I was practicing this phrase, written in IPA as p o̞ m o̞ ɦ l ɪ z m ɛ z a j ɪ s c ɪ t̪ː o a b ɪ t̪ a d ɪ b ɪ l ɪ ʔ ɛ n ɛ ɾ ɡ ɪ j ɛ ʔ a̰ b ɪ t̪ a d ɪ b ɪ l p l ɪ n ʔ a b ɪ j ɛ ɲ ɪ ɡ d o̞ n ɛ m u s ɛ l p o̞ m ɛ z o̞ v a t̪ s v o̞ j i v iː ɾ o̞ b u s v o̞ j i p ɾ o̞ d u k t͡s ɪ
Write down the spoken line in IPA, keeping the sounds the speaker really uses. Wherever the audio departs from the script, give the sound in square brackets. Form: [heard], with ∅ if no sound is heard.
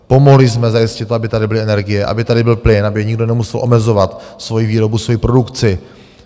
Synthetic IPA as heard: p o̞ m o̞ ɦ l ɪ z m ɛ z a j ɪ s c ɪ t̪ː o a b ɪ t̪ a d ɪ b ɪ l ɪ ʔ ɛ n ɛ ɾ ɡ ɪ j ɛ ʔ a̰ b ɪ t̪ a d ɪ b ɪ l p l ɪ n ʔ a b ɪ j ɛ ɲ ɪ ɡ d o̞ n ɛ m u s ɛ l [ʔ] o̞ m ɛ z o̞ v a t̪ s v o̞ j i v iː ɾ o̞ b u s v o̞ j i p ɾ o̞ d u k t͡s ɪ